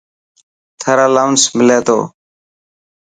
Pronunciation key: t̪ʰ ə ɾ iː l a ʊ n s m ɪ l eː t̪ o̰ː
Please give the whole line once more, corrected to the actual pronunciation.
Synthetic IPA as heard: t̪ʰ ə ɾ aː l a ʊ n s m ɪ l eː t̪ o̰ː